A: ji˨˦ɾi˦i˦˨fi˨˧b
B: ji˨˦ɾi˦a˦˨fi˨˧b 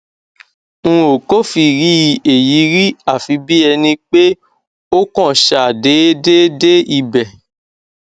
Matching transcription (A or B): B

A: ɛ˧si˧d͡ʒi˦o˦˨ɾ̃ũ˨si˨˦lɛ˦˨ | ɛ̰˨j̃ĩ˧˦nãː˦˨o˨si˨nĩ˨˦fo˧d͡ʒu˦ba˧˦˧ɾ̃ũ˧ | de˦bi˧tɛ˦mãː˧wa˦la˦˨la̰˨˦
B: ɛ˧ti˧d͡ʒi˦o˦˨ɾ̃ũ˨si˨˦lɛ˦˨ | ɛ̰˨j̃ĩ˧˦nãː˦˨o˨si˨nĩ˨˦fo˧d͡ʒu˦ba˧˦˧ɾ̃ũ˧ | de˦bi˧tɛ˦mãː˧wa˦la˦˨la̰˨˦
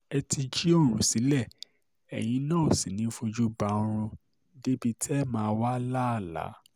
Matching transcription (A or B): B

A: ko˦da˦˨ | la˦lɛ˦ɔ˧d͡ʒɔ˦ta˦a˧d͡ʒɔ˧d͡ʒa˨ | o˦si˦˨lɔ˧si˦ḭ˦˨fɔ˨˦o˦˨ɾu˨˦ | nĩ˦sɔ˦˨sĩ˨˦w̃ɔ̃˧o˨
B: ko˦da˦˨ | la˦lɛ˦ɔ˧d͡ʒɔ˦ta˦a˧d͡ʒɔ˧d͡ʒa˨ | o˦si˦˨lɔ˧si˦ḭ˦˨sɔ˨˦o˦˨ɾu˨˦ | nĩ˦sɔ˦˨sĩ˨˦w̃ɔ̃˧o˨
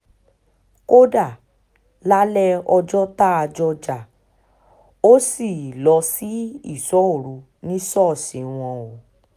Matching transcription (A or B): B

